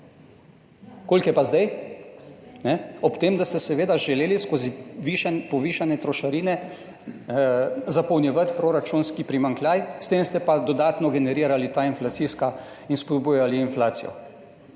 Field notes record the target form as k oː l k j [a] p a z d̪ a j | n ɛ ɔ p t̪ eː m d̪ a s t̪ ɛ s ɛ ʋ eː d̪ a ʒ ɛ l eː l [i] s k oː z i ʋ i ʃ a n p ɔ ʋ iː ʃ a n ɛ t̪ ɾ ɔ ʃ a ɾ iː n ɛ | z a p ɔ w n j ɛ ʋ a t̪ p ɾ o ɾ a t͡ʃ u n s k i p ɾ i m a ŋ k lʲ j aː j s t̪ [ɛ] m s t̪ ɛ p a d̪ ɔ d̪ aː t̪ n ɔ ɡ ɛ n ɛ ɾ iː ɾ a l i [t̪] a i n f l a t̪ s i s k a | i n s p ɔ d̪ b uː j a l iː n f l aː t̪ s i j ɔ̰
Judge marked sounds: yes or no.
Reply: no, yes, no, yes

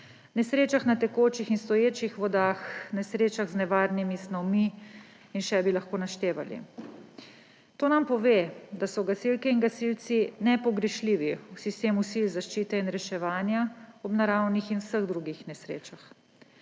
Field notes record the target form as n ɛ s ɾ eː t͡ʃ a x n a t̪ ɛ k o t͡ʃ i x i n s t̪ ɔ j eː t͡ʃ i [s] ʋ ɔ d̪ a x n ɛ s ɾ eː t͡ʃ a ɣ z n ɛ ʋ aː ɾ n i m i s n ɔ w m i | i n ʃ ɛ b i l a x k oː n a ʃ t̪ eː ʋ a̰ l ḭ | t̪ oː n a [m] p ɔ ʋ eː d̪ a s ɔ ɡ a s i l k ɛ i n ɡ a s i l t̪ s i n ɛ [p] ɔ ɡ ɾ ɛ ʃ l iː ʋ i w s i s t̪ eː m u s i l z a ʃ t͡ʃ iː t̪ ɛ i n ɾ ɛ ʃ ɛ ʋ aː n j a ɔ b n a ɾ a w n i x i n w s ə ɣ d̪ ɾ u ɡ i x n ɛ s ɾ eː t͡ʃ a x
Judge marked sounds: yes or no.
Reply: no, yes, yes

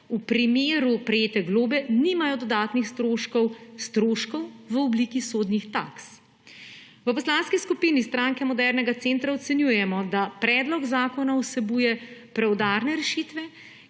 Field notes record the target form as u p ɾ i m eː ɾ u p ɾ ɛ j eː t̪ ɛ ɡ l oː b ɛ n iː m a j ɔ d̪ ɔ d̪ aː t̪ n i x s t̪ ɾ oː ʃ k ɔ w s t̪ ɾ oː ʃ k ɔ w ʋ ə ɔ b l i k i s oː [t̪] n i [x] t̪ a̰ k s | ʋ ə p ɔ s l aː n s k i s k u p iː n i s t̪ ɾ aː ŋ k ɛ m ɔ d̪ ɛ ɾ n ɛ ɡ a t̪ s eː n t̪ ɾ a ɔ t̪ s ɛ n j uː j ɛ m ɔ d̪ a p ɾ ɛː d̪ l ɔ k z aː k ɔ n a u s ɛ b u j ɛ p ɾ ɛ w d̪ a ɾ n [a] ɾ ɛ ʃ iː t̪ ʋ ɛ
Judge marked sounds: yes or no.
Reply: no, yes, no

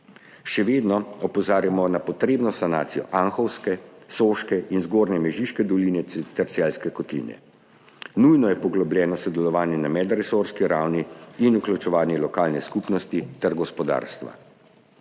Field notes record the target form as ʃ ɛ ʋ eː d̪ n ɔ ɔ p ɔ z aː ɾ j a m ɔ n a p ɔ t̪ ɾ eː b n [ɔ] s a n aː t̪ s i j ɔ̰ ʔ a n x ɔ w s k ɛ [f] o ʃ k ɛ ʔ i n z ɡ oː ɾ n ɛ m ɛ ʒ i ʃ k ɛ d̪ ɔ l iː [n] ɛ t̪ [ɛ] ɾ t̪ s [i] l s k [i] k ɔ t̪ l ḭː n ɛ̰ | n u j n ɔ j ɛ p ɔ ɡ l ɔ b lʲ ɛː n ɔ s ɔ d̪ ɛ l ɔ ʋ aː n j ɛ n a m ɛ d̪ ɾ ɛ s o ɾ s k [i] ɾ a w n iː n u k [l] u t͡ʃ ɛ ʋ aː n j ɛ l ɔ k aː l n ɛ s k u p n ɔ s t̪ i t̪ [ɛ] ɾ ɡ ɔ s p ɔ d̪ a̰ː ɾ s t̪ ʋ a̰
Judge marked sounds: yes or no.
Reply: yes, no, yes, yes, no, no, yes, yes, yes

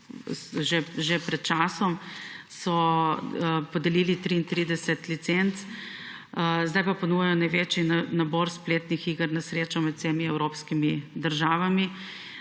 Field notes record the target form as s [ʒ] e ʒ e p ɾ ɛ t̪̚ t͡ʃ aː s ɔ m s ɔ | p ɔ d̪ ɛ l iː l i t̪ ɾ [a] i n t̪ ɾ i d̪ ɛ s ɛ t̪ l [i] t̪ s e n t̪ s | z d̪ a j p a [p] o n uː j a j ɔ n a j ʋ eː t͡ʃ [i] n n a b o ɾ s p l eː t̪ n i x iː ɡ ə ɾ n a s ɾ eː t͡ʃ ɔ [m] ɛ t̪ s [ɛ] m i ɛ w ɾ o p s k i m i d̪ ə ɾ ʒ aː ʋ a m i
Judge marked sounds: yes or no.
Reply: yes, no, yes, yes, yes, yes, no

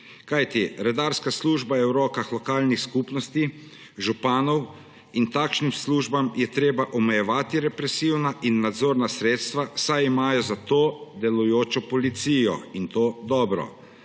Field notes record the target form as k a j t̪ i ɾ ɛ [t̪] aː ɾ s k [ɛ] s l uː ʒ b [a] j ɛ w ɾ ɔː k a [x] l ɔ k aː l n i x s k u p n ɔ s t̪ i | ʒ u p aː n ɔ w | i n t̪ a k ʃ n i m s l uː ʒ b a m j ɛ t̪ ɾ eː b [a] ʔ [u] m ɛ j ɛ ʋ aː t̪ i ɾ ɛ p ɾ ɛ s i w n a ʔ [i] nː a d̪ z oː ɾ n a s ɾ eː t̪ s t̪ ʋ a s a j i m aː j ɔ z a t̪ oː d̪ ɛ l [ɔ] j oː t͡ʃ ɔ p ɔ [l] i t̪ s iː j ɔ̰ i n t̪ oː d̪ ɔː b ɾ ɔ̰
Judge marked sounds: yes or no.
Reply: no, no, yes, yes, yes, no, yes, no, yes

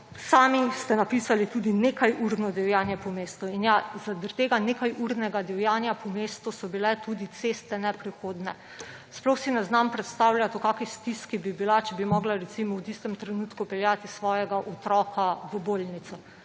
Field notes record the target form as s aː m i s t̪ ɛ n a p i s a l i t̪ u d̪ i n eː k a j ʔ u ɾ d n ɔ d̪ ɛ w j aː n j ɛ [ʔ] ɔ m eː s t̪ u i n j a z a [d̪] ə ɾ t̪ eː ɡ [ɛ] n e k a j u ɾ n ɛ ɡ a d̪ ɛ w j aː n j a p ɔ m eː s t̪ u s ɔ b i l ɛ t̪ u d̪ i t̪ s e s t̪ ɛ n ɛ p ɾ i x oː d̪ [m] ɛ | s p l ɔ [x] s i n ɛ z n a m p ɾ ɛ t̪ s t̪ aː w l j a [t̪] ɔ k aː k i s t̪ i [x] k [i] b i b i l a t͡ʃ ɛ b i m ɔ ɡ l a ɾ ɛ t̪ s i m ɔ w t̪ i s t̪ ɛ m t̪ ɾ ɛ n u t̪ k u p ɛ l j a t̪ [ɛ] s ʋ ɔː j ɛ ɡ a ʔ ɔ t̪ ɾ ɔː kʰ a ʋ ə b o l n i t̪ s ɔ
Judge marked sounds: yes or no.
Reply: no, yes, no, no, yes, yes, no, yes, no

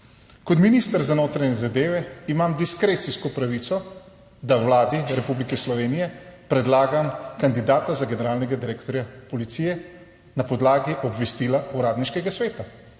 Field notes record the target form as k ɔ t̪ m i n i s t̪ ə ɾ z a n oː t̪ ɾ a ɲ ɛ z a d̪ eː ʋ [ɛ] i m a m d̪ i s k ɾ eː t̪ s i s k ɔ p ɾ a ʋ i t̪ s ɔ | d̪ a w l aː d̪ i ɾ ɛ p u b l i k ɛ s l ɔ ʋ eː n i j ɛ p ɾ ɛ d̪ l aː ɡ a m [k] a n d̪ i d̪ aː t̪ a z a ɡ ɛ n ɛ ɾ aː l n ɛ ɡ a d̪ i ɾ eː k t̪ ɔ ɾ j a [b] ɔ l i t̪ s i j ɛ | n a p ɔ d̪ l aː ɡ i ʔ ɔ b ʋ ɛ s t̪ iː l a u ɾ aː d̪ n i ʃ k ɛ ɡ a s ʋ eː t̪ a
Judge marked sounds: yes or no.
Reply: yes, yes, no

